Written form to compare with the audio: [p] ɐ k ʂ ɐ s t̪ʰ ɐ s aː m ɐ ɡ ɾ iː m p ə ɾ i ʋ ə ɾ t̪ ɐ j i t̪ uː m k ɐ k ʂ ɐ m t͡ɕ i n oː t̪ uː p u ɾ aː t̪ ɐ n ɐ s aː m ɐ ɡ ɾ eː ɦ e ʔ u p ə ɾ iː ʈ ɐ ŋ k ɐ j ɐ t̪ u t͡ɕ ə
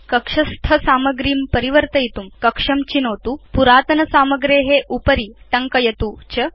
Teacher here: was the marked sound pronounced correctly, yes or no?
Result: no